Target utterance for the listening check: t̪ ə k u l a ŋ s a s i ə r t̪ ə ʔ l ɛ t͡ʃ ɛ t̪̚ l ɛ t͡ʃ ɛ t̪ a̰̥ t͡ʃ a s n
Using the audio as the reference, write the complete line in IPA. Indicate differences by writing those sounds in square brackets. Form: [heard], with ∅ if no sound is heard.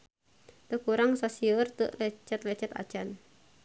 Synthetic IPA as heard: t̪ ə k u [ɾ] a ŋ s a s i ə r t̪ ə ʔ l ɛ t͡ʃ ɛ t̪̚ l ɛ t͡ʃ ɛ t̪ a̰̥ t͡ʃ a [∅] n